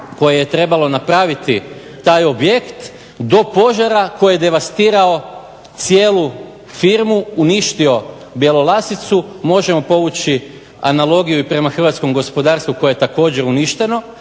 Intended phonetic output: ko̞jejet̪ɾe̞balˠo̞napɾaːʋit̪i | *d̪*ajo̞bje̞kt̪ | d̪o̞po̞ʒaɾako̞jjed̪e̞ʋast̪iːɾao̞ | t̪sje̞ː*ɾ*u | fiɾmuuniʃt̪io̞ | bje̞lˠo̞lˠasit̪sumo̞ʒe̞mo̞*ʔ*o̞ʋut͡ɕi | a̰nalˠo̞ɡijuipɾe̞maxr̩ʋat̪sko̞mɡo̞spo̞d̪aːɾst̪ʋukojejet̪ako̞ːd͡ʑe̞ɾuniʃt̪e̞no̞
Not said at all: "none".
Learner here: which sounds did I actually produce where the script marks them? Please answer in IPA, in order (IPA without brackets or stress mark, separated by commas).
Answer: t̪, l, p